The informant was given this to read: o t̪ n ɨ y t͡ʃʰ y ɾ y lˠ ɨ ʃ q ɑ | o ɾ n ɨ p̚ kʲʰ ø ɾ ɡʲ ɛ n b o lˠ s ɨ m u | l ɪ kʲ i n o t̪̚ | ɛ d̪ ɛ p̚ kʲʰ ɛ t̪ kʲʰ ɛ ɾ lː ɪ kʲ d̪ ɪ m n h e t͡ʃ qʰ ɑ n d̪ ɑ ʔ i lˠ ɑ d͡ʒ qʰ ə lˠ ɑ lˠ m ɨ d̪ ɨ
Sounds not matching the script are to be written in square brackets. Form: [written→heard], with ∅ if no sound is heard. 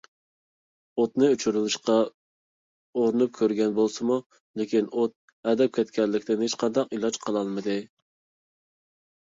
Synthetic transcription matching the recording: o t̪ n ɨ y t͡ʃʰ y ɾ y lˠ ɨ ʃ q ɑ | o ɾ n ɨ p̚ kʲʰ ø ɾ ɡʲ ɛ n b o lˠ s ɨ m u | l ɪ kʲ i n o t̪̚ | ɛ d̪ ɛ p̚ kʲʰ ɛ t̪ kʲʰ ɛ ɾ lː ɪ kʲ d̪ ɪ [m→∅] n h e t͡ʃ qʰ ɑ n d̪ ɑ [ʔ→q] i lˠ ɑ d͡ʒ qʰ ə lˠ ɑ lˠ m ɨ d̪ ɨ